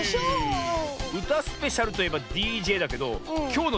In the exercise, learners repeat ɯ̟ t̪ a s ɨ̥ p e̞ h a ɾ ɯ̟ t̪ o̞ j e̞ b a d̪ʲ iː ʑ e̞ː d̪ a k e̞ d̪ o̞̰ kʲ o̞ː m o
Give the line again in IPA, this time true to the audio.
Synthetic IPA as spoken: ɯ̟ t̪ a s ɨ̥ p e̞ ɕ a ɾ ɯ̟ t̪ o̞ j e̞ b a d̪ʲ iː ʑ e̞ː d̪ a k e̞ d̪ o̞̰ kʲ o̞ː n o